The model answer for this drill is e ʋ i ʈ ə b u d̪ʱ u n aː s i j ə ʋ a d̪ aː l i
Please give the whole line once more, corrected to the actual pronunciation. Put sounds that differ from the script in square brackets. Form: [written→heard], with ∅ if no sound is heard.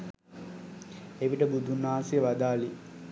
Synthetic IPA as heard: e ʋ i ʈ ə b u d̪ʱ u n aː s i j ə ʋ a d̪ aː l i

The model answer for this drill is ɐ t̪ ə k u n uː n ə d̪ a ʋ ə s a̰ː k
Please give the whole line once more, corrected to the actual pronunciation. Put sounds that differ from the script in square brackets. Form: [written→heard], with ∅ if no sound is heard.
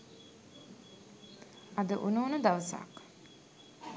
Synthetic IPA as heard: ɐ [t̪→d̪] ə [k→ʔ] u n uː n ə d̪ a ʋ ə s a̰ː k

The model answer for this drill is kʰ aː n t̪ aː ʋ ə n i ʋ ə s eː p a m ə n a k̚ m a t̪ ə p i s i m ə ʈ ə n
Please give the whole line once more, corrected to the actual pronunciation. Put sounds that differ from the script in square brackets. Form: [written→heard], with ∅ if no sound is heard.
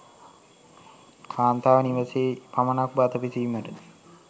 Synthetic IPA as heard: kʰ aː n t̪ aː ʋ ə n i ʋ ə s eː p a m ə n a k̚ [m→b] a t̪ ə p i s i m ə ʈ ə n

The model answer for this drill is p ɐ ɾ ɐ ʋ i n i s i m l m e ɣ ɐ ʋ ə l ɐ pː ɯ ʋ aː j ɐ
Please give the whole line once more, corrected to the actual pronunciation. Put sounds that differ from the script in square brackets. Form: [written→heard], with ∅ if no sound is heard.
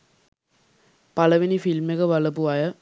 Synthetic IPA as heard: p ɐ [ɾ→l] ɐ ʋ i n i [s→f] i [m→∅] l m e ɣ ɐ ʋ [ə→ɐ] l ɐ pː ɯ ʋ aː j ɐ

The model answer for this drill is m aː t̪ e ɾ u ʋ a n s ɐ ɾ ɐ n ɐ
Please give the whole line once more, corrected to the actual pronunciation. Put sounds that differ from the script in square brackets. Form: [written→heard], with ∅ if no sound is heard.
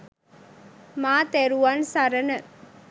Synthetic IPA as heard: m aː t̪ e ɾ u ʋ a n s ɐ ɾ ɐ n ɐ

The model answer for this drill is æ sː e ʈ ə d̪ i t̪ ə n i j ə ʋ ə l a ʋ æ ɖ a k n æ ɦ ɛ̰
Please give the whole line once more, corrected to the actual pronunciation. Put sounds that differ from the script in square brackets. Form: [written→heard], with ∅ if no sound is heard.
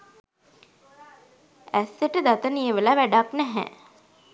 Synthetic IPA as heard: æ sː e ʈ ə d̪ [i→a] t̪ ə n i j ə ʋ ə l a ʋ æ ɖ a k n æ ɦ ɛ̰

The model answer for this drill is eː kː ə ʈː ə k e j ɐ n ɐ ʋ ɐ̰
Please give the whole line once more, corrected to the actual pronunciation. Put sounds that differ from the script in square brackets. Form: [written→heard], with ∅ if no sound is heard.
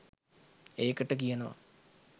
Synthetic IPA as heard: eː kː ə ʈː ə k [e→i] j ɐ n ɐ ʋ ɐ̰

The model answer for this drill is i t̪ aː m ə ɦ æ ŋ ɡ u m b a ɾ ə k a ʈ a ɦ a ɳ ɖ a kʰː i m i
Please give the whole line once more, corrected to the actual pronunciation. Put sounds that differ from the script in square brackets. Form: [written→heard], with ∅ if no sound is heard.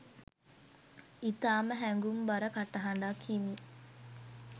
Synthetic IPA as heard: i t̪ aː m ə ɦ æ ŋ ɡ u m b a ɾ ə k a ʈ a ɦ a ɳ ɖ a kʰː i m i

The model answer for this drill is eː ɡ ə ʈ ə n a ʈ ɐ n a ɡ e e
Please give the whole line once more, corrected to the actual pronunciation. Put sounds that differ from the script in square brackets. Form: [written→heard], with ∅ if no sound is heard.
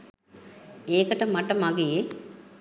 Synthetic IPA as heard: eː [ɡ→k] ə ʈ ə [n→m] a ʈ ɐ [n→m] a ɡ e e

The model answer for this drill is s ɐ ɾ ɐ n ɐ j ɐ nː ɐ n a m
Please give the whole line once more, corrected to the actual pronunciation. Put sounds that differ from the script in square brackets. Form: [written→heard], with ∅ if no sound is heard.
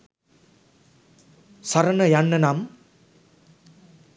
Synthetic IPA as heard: s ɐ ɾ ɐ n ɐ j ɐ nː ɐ n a m

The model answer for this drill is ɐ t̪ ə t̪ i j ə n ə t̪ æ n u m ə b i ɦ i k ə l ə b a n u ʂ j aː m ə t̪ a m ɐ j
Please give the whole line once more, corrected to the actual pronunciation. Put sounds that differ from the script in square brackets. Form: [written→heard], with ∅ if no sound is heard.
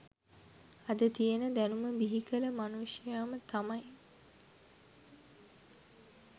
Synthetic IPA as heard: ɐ [t̪→d̪] ə t̪ i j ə n ə [t̪→d̪] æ n u m ə b i ɦ i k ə l ə [b→m] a n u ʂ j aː m ə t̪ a m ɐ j

